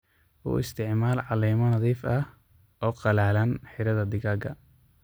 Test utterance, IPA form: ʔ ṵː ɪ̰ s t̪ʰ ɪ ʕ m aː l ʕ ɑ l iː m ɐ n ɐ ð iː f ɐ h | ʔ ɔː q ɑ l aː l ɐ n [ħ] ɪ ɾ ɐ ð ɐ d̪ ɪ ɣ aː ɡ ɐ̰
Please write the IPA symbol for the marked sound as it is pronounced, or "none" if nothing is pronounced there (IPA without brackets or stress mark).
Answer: ħ